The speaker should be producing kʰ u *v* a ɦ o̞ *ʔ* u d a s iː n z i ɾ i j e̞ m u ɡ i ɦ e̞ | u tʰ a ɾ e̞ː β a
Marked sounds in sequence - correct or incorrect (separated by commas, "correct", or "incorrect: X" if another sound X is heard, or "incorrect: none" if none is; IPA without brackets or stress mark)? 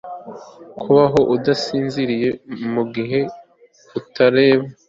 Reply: incorrect: β, correct